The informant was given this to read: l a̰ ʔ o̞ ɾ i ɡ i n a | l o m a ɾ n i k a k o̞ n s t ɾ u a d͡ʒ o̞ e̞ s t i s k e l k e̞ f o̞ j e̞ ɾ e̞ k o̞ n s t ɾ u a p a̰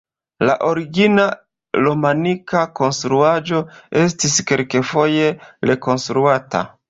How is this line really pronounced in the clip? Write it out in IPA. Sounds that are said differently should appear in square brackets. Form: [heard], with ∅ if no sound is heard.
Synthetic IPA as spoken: l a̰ ʔ o̞ ɾ i ɡ i n a | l o m a [∅] n i k a k o̞ n s t ɾ u a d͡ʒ o̞ e̞ s t i s k e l k e̞ f o̞ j e̞ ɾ e̞ k o̞ n s t ɾ u a [t] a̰